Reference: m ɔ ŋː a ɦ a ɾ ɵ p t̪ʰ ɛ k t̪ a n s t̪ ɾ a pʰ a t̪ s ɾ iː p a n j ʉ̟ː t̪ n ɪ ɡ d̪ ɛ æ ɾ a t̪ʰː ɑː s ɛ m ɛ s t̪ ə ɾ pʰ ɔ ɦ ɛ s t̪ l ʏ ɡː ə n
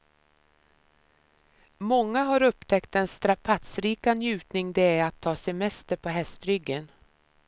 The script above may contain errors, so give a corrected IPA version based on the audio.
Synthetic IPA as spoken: m ɔ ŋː a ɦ a ɾ ɵ p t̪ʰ ɛ k t̪ ɛ n s t̪ ɾ a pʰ a t̪ s ɾ iː k a n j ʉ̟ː t̪ n ɪ ŋ d̪ ɛ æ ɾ a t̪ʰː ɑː s ɛ m ɛ s t̪ ə ɾ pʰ ɔ ɦ ɛ s t̪ ɾ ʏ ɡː ə n